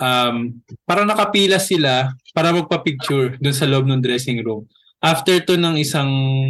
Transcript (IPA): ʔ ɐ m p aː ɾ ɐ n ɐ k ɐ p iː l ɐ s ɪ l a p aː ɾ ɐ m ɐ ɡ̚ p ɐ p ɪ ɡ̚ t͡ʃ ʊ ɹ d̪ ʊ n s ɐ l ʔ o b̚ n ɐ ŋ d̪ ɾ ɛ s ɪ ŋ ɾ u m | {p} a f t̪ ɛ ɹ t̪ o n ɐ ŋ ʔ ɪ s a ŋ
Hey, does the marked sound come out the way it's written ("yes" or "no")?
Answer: no